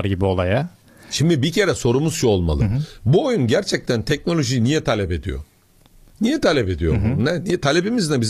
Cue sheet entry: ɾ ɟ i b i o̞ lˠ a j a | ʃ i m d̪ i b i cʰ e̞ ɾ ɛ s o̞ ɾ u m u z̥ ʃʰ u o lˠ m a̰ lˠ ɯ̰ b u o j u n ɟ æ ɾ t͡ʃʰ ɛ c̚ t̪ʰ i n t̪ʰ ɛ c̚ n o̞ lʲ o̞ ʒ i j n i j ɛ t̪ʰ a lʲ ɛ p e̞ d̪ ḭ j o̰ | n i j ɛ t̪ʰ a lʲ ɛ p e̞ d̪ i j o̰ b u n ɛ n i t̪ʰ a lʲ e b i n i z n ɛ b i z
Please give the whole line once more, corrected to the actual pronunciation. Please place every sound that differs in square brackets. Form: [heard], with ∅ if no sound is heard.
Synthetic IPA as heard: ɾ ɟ i b i o̞ lˠ a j a | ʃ i m d̪ i b i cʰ e̞ ɾ ɛ s o̞ ɾ u m u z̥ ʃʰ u o lˠ m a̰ lˠ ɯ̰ b u o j u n ɟ æ ɾ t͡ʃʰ ɛ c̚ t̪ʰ [æ] n t̪ʰ ɛ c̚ n o̞ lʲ o̞ ʒ i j n i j ɛ t̪ʰ a lʲ ɛ p e̞ d̪ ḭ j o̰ | n i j ɛ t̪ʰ a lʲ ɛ p e̞ d̪ i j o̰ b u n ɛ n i t̪ʰ a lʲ e b i [m] i z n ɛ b i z